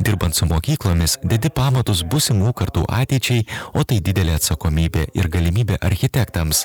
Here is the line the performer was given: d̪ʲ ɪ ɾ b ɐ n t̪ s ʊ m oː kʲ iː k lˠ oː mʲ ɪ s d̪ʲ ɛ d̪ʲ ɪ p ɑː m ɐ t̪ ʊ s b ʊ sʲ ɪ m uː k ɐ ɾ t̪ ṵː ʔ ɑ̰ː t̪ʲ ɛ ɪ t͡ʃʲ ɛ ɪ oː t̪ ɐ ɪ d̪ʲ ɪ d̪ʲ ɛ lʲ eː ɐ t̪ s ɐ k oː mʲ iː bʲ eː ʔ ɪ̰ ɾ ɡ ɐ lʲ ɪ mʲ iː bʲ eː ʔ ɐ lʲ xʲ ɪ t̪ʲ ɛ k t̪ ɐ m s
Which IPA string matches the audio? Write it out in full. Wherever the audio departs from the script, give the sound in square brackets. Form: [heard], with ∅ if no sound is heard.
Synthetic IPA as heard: d̪ʲ ɪ ɾ b ɐ n t̪ s ʊ m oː kʲ iː k lˠ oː mʲ ɪ s d̪ʲ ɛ d̪ʲ ɪ p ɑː m ɐ t̪ ʊ s b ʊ sʲ ɪ m uː k ɐ ɾ t̪ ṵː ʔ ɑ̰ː t̪ʲ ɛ ɪ t͡ʃʲ ɛ ɪ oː t̪ ɐ ɪ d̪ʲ ɪ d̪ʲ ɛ lʲ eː ɐ t̪ s ɐ k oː mʲ iː bʲ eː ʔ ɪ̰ ɾ ɡ ɐ lʲ ɪ mʲ iː bʲ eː ʔ ɐ [ɾʲ] xʲ ɪ t̪ʲ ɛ k t̪ ɐ m s